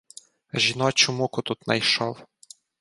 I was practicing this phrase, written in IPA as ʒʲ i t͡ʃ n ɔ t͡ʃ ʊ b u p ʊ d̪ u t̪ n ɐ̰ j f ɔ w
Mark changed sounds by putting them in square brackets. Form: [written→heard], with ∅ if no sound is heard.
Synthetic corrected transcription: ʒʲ i [t͡ʃ→∅] n ɔ t͡ʃ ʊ [b→m] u [p→k] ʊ [d̪→t̪] u t̪ n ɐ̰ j [f→ʃ] ɔ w